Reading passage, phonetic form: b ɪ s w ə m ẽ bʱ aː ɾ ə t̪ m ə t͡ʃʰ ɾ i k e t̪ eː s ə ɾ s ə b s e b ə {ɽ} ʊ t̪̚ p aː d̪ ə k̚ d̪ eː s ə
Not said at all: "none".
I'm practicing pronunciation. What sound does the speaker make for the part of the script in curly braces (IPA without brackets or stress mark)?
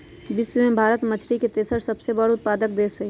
ɽ